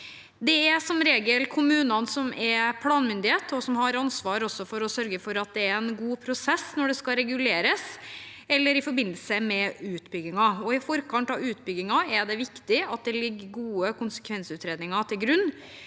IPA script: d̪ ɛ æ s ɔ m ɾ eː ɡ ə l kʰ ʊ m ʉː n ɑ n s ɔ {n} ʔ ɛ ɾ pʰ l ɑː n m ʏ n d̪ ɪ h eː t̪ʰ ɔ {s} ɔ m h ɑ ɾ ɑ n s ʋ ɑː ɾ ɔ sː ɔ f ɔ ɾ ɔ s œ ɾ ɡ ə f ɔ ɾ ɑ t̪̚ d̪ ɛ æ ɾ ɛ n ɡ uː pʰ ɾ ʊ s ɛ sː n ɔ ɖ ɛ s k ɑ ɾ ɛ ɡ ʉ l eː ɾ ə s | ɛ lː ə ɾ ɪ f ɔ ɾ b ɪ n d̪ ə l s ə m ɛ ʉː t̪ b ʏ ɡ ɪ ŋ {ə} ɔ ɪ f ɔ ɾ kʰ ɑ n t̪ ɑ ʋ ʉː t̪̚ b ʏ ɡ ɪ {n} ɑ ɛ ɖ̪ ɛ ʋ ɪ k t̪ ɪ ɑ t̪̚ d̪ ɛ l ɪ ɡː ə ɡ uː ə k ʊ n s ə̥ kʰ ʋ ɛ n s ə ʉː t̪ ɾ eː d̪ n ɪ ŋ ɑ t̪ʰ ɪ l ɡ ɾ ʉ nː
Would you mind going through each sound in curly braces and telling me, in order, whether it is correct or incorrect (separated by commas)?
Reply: incorrect, correct, incorrect, incorrect